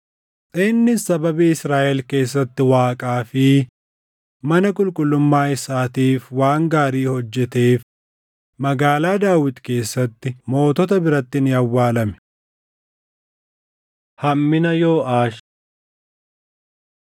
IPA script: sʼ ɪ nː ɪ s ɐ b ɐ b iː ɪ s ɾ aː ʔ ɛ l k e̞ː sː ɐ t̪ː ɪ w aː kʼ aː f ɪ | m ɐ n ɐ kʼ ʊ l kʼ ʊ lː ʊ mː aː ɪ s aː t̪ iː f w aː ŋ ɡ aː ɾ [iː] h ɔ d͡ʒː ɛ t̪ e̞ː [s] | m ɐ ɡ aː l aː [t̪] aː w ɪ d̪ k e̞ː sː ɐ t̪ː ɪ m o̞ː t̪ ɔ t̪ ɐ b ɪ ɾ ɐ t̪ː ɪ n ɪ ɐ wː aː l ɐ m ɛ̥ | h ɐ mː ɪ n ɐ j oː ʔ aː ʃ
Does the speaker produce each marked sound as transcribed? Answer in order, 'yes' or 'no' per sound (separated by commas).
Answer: yes, no, no